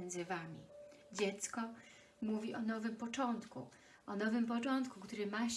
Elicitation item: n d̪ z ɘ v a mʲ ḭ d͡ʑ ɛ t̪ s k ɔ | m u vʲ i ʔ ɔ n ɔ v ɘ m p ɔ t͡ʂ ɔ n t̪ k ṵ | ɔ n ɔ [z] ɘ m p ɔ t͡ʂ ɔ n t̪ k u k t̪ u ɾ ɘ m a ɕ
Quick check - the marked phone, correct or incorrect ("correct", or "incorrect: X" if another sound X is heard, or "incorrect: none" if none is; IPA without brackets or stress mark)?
incorrect: v